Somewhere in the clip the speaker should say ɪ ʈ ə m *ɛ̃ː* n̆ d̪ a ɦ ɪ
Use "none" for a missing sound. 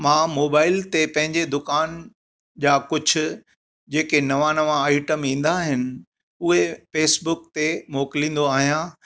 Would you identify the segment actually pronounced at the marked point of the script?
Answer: ĩː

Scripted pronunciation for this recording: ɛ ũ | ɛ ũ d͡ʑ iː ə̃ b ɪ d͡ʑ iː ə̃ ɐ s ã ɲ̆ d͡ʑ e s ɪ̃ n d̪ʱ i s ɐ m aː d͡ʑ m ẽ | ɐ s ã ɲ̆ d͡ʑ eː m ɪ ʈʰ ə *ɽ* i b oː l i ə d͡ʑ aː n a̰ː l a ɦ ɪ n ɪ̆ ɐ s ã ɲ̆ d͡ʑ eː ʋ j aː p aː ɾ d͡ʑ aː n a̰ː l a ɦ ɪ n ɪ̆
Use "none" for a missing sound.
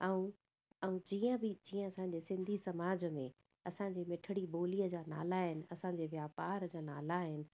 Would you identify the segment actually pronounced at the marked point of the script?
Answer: ɽ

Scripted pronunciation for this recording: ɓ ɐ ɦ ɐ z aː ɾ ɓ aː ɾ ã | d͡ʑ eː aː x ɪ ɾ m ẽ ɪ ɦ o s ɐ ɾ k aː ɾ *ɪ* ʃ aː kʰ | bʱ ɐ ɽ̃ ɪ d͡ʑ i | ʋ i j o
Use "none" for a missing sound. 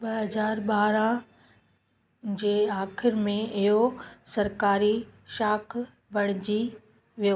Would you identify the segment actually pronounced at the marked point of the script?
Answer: i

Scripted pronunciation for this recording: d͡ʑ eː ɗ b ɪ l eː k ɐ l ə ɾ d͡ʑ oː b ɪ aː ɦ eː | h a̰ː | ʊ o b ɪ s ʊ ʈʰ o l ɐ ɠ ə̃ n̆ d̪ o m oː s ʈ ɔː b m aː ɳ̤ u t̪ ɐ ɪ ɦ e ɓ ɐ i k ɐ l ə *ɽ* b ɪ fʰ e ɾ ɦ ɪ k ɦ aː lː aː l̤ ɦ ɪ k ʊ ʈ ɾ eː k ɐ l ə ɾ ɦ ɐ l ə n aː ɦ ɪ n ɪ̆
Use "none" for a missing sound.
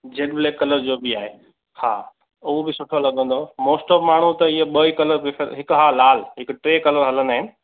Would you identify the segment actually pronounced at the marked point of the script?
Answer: ɾ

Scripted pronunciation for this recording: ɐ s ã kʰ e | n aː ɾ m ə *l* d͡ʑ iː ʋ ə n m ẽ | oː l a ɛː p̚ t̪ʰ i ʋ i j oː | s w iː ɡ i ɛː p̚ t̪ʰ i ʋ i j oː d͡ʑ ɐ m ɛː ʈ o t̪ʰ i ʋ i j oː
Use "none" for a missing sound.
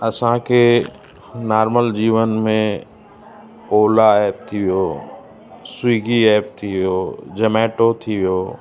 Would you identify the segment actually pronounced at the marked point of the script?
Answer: l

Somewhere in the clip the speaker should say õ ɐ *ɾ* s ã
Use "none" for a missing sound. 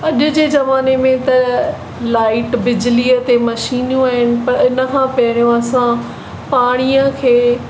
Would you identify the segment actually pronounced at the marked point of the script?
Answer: none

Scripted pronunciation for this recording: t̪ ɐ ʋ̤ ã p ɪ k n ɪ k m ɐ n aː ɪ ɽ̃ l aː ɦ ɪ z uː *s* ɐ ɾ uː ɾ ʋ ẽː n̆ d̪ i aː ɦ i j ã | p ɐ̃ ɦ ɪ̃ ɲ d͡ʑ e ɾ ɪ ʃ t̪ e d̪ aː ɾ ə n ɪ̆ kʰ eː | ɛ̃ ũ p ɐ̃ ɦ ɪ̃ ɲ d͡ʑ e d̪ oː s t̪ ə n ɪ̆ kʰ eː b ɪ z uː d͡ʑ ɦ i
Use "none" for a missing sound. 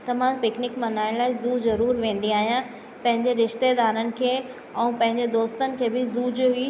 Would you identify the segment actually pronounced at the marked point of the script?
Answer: z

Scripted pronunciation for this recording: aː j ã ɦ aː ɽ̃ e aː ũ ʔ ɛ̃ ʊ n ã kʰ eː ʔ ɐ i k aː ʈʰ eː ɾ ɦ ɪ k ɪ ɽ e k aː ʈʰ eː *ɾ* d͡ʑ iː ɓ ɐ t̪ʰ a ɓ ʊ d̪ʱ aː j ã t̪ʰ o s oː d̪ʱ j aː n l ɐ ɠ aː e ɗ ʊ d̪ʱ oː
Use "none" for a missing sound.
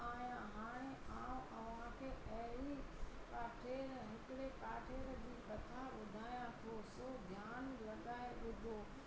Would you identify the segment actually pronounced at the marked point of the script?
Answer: ɾ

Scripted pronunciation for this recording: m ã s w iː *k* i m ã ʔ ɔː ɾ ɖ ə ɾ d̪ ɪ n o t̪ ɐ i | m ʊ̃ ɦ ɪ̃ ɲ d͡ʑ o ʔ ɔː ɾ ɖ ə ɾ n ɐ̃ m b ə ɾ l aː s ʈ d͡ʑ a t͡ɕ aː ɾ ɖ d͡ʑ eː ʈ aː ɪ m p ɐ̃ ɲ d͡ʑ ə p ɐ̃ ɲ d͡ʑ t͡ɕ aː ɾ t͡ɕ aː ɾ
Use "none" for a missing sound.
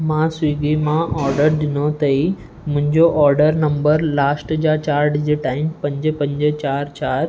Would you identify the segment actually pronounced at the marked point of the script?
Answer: ɡ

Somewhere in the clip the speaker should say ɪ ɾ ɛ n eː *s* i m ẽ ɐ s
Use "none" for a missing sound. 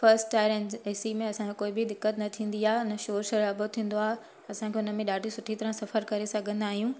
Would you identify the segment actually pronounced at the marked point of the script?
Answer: s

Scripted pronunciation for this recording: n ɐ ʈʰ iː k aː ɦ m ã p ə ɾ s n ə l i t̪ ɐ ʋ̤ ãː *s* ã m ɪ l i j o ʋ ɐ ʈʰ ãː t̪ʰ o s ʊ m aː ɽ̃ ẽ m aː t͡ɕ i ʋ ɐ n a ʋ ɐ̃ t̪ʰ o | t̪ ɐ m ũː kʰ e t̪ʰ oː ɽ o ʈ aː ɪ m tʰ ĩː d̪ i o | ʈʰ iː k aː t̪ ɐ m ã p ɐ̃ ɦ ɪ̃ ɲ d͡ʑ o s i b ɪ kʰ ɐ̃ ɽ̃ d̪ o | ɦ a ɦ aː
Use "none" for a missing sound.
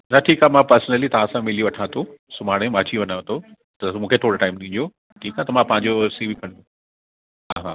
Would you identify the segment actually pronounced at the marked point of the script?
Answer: s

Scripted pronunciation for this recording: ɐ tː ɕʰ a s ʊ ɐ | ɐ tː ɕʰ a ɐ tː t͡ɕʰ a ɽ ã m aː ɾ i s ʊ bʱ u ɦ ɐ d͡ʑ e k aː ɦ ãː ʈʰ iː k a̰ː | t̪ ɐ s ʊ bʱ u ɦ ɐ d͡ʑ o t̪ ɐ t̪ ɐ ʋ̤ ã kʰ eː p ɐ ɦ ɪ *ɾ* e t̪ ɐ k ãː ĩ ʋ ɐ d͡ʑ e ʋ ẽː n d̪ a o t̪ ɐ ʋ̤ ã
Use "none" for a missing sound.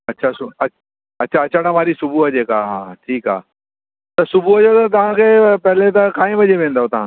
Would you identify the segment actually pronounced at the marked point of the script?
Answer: l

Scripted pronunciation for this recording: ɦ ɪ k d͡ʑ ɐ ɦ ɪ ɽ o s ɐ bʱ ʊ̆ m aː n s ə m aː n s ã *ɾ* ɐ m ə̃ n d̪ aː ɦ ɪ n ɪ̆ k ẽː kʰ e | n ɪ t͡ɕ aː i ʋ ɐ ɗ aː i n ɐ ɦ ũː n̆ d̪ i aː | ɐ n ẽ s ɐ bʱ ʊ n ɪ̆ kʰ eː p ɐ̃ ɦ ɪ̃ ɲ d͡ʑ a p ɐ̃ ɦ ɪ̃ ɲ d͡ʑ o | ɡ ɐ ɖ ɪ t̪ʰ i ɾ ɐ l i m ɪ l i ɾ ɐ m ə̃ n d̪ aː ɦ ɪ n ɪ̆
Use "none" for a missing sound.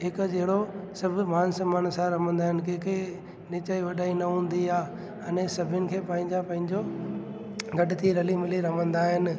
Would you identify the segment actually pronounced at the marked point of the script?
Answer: ɾ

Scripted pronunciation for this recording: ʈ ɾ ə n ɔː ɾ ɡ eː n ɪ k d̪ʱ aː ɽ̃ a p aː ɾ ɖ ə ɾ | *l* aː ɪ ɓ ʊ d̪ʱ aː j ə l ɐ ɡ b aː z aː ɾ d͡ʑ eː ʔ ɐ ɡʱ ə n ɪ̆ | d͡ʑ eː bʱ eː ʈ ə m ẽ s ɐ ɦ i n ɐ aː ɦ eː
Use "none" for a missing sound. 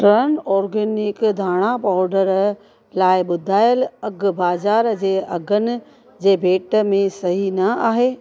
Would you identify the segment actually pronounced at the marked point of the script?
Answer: l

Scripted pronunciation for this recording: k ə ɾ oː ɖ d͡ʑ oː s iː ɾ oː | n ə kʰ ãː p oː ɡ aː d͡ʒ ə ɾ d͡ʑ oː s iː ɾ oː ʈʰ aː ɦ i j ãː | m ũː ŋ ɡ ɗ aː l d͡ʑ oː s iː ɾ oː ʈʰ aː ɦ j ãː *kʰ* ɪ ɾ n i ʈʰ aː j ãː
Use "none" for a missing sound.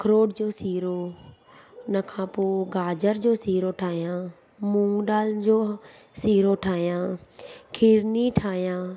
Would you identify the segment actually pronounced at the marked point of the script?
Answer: kʰ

